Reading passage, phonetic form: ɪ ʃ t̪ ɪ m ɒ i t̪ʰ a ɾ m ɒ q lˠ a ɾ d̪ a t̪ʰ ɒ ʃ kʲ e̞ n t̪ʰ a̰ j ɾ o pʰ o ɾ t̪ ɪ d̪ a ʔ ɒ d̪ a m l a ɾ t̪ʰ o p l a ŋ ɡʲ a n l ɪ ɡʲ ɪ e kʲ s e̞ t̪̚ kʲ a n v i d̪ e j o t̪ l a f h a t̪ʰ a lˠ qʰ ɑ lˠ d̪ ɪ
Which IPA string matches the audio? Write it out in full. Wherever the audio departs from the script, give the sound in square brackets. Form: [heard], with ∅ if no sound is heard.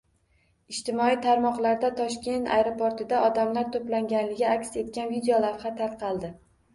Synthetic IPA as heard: ɪ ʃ t̪ ɪ m ɒ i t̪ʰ a ɾ m ɒ q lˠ a ɾ d̪ a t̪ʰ ɒ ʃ kʲ e̞ n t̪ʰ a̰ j ɾ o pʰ o ɾ t̪ ɪ d̪ a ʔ ɒ d̪ a m l a ɾ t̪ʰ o p l a ŋ ɡʲ a n l ɪ ɡʲ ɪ [a] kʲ s e̞ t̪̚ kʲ a n v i d̪ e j o [∅] l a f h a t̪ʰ a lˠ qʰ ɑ lˠ d̪ ɪ